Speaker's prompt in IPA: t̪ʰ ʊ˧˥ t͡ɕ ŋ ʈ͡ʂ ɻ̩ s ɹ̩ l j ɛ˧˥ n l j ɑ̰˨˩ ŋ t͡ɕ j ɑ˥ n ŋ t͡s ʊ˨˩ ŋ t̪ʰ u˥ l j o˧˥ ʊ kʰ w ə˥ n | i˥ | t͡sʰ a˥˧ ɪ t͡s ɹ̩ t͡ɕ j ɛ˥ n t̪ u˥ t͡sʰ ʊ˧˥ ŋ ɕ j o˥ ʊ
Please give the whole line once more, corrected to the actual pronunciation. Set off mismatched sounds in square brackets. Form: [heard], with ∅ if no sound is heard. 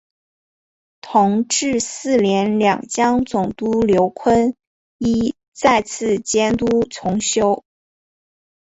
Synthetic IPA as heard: t̪ʰ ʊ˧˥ [∅] ŋ ʈ͡ʂ ɻ̩ s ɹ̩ l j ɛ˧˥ n l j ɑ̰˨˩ ŋ t͡ɕ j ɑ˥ [∅] ŋ t͡s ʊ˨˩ ŋ [t̪] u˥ l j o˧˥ ʊ kʰ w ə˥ n | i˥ | [t͡s] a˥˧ ɪ [t͡sʰ] ɹ̩ t͡ɕ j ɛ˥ n t̪ u˥ t͡sʰ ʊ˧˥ ŋ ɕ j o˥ ʊ

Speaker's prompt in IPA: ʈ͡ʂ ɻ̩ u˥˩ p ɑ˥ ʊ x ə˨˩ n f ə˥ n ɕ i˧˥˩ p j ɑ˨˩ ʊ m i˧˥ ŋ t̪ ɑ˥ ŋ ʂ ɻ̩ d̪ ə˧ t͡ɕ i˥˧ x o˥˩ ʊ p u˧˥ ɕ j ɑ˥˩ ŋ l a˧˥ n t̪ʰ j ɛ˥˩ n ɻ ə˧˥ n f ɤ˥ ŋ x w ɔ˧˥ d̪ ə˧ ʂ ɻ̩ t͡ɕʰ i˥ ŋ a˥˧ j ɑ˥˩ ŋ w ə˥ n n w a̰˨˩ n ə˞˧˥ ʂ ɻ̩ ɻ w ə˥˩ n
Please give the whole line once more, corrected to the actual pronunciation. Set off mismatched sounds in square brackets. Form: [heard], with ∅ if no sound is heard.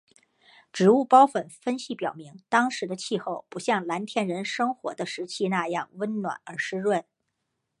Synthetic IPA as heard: ʈ͡ʂ ɻ̩ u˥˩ p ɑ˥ ʊ [f] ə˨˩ n f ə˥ n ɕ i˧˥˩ p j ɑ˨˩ ʊ m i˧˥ ŋ t̪ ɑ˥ ŋ ʂ ɻ̩ d̪ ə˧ [t͡ɕʰ] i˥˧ x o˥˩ ʊ p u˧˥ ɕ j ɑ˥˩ ŋ l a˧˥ n t̪ʰ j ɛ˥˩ n ɻ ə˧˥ n [ʂ] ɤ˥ ŋ x w ɔ˧˥ d̪ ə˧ ʂ ɻ̩ t͡ɕʰ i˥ [n] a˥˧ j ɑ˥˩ ŋ w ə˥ n n w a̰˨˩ n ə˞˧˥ ʂ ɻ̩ ɻ w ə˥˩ n

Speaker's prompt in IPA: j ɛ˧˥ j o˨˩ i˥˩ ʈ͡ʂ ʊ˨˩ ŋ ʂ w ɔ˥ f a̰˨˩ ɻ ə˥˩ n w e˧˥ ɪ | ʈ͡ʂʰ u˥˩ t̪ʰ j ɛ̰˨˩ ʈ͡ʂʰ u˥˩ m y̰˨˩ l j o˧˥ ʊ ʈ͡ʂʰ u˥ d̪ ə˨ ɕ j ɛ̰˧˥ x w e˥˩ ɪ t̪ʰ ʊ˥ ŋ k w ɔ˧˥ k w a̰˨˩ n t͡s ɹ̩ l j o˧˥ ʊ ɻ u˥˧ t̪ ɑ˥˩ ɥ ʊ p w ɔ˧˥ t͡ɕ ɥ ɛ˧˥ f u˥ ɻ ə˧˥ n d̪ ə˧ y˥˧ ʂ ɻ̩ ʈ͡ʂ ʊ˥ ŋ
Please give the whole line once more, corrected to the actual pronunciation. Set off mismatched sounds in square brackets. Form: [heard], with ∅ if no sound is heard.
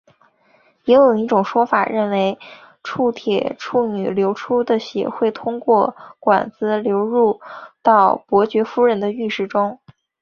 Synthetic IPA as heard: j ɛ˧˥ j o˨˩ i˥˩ ʈ͡ʂ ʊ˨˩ ŋ ʂ w ɔ˥ f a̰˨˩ ɻ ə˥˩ n w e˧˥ ɪ | ʈ͡ʂʰ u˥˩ t̪ʰ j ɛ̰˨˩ ʈ͡ʂʰ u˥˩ [n] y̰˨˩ l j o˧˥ ʊ ʈ͡ʂʰ u˥ d̪ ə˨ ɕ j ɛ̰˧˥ x w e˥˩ ɪ t̪ʰ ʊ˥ ŋ k w [ɔ˥˩] k w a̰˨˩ n t͡s ɹ̩ l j o˧˥ ʊ ɻ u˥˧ t̪ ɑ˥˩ [∅] ʊ p w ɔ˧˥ t͡ɕ ɥ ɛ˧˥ f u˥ ɻ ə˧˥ n d̪ ə˧ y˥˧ ʂ ɻ̩ ʈ͡ʂ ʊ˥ ŋ

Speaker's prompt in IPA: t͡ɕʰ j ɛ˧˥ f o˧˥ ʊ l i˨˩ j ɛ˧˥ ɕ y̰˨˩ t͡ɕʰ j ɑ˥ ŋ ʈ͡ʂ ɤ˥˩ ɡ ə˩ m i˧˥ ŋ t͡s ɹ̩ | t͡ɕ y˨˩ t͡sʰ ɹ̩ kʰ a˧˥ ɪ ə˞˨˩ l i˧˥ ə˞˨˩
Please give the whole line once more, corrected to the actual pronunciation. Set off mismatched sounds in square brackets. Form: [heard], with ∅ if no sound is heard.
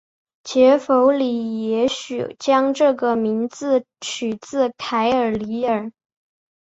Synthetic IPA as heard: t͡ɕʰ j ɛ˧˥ f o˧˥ ʊ l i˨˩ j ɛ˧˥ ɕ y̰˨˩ [t͡ɕ] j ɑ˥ ŋ ʈ͡ʂ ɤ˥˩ ɡ ə˩ m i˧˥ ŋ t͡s ɹ̩ | [t͡ɕʰ] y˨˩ [t͡s] ɹ̩ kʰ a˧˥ ɪ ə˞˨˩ l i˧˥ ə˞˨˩

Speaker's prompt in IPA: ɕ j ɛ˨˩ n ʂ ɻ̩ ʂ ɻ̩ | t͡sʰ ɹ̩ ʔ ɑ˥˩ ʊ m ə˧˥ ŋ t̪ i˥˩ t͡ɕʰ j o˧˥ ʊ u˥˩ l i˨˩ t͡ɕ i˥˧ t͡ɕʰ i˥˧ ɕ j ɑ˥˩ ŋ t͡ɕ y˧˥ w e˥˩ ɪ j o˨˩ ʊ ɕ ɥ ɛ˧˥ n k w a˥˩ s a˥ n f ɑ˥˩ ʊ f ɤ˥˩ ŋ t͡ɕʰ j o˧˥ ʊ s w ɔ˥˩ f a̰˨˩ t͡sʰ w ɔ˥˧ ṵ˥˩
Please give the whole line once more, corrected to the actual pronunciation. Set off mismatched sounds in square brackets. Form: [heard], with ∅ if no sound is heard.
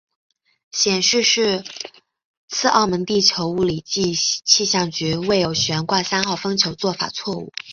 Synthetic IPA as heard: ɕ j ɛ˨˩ n ʂ ɻ̩ ʂ ɻ̩ | t͡sʰ ɹ̩ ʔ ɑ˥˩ ʊ m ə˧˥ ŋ t̪ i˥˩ t͡ɕʰ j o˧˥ ʊ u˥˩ l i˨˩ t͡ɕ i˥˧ t͡ɕʰ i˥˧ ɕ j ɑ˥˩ ŋ t͡ɕ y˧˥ w e˥˩ ɪ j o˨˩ ʊ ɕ ɥ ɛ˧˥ n k w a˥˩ s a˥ n [x] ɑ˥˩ ʊ f [ɤ˥] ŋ t͡ɕʰ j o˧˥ ʊ [t͡s] w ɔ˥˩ f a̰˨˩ t͡sʰ w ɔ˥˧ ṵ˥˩

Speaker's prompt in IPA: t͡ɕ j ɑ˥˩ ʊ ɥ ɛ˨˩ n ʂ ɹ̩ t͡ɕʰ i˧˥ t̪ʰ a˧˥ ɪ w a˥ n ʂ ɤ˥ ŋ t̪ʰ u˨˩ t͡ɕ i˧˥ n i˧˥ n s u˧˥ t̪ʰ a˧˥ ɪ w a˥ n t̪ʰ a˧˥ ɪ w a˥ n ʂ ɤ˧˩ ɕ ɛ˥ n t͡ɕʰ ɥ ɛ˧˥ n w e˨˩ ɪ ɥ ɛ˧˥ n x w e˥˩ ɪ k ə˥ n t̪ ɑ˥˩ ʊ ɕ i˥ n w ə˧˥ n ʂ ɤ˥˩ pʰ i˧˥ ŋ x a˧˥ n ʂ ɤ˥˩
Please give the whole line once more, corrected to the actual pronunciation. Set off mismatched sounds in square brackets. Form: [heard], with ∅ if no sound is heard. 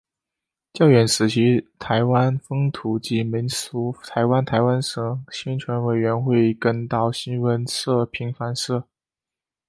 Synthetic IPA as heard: t͡ɕ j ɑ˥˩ ʊ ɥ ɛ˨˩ n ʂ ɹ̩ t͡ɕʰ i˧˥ t̪ʰ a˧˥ ɪ w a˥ n [f] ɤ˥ ŋ t̪ʰ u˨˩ t͡ɕ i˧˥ [m] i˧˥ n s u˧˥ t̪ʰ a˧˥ ɪ w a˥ n t̪ʰ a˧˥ ɪ w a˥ n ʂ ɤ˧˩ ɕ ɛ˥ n t͡ɕʰ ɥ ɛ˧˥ n w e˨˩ ɪ ɥ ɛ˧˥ n x w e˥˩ ɪ k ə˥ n t̪ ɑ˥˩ ʊ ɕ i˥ n w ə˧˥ n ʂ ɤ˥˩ pʰ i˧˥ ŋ [f] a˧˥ n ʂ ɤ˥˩

